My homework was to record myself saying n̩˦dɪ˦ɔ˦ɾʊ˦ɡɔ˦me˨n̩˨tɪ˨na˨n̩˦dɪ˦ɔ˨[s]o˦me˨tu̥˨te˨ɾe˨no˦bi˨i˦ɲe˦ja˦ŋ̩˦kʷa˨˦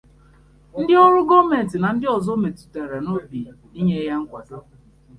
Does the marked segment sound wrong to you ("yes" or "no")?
yes